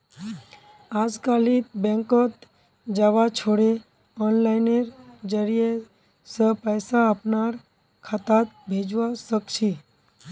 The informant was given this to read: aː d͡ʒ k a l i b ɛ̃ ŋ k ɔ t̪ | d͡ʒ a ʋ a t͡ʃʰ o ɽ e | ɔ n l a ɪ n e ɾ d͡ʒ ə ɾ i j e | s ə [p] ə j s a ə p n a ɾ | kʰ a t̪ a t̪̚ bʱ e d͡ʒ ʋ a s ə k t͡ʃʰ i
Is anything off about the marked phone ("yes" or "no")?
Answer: no